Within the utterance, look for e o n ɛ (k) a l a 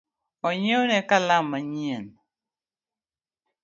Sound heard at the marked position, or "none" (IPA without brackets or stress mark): k